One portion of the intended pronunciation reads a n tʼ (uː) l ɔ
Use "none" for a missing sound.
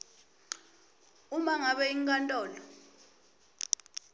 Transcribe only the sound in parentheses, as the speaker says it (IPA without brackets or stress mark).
ɔː